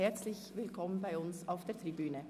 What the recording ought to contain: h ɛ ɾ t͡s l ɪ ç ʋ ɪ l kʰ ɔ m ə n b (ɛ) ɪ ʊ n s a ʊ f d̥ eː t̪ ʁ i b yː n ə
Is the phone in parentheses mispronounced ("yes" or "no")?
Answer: yes